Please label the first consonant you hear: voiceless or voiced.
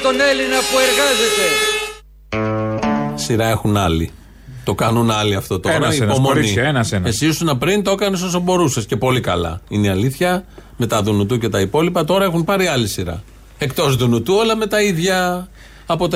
voiceless